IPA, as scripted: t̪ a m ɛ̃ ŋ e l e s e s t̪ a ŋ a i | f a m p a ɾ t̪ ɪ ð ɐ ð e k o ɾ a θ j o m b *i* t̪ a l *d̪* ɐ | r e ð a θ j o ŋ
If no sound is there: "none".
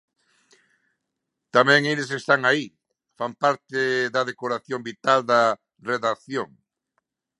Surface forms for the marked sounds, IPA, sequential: i, d̪

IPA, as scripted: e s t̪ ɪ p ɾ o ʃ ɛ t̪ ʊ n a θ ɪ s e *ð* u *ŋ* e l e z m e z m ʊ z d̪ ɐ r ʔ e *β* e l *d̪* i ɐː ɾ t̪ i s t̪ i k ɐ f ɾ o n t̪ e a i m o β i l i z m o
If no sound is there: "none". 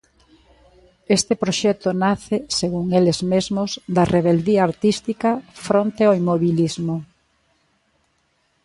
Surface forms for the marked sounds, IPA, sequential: ɣ, ŋ, β, d̪

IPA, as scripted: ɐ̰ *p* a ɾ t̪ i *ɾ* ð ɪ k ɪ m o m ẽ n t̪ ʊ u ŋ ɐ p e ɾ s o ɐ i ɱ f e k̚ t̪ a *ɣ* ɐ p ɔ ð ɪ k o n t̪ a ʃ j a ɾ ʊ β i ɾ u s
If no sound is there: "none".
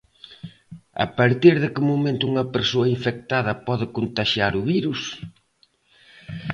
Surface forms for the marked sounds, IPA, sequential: p, ɾ, ð

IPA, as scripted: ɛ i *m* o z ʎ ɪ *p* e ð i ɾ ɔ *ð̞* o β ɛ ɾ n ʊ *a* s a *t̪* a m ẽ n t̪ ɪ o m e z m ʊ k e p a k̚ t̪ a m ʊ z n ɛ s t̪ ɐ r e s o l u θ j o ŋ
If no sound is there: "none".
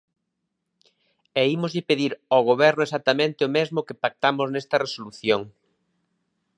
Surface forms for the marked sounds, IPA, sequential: m, p, ɣ̞, e, t̪

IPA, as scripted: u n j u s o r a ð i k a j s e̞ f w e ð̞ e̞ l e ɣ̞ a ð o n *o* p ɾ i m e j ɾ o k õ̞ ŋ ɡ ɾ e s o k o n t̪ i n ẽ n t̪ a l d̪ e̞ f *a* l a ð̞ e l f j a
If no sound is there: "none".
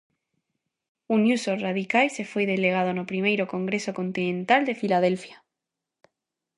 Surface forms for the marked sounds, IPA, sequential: o, i

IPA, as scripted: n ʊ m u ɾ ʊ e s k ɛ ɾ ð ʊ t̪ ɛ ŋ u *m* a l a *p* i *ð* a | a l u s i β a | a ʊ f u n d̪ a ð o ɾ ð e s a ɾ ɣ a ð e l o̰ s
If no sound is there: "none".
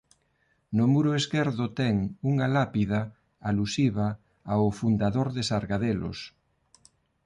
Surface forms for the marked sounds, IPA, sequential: ŋ, p, ð

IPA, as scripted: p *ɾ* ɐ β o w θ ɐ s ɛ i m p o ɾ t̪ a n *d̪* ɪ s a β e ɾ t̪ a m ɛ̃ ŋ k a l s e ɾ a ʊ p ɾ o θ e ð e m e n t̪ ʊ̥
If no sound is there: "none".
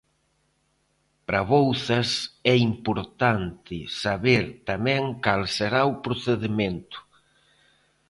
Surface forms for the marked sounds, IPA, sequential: ɾ, t̪

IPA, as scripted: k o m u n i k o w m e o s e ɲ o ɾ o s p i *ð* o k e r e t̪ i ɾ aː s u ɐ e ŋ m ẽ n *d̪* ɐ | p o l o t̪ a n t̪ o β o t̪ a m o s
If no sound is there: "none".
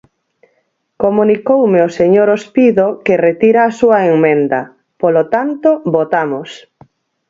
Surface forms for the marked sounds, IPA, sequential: ð, d̪

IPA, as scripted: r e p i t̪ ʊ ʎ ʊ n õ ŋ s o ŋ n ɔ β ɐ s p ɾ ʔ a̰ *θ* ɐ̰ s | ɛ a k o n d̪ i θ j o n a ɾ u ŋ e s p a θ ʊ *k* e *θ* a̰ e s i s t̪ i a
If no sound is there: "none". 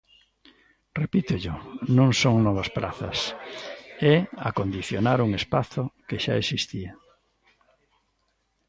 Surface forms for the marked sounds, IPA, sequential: θ, k, ʃ

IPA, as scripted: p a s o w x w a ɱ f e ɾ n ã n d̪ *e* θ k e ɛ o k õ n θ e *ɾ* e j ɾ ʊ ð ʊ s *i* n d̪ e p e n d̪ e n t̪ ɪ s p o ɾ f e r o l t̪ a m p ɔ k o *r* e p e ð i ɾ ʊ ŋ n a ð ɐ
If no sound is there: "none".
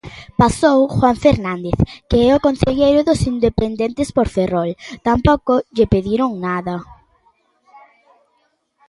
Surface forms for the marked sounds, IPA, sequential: e, ʎ, i, ʎ

